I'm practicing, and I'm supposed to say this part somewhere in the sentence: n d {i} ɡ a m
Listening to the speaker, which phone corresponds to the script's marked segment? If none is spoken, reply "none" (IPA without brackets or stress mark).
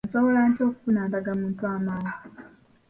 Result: a